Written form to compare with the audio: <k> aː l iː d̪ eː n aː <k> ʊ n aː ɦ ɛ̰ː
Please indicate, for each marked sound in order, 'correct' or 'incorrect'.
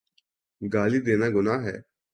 incorrect: ɡ, incorrect: ɡ

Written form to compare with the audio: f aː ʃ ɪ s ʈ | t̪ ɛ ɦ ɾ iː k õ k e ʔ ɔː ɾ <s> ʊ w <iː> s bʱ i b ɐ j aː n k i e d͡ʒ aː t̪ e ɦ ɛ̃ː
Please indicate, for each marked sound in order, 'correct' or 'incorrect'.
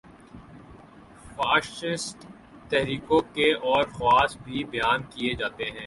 incorrect: x, incorrect: aː

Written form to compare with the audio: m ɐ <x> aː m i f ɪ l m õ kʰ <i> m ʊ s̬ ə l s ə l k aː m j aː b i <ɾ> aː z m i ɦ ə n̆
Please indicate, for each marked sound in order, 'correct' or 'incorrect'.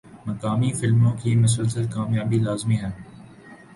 incorrect: k, incorrect: iː, incorrect: l

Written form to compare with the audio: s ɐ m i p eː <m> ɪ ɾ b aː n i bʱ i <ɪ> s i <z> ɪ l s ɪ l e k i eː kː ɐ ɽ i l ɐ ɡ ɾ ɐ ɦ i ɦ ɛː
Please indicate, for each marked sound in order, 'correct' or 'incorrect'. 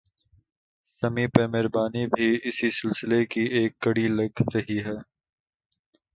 correct, correct, incorrect: s

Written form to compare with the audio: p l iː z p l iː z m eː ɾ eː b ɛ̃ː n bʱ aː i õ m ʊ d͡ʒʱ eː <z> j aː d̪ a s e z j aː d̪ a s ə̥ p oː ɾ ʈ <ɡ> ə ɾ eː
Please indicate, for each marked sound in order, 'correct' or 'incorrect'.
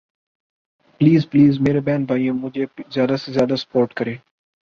correct, incorrect: k

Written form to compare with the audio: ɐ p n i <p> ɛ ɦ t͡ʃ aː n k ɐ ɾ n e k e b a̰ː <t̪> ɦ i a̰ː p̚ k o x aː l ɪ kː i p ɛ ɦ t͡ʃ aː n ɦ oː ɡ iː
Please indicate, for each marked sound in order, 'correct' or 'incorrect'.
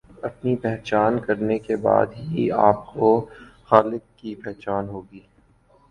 correct, incorrect: d̪

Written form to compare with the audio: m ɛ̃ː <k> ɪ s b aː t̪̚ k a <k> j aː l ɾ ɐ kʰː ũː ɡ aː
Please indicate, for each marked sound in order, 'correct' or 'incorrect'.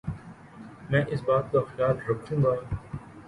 incorrect: ʔ, incorrect: x

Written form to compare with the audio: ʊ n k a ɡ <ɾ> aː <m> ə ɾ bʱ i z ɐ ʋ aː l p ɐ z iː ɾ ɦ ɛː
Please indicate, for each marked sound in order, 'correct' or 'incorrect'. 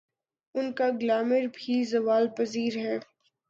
incorrect: l, correct

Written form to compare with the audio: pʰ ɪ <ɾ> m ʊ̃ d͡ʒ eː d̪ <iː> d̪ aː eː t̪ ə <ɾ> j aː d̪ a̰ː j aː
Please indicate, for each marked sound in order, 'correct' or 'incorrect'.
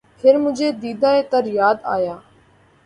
correct, correct, correct

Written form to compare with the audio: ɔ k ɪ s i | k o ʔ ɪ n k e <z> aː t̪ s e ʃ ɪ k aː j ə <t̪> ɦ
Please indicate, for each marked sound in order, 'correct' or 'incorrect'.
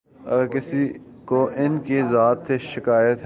correct, correct

